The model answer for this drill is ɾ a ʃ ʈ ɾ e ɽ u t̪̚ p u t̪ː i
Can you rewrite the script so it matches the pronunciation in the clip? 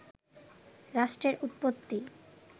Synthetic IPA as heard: ɾ a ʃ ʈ ɾ e ɾ u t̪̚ p o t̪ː i